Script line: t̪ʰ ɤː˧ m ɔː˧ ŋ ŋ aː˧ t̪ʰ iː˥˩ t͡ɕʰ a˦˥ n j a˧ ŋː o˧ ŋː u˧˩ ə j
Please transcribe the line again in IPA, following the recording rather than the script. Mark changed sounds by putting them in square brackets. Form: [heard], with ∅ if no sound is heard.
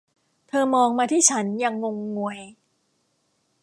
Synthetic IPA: t̪ʰ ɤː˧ m ɔː˧ ŋ [m] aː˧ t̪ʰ iː˥˩ t͡ɕʰ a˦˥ n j a˧ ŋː o˧ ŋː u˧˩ ə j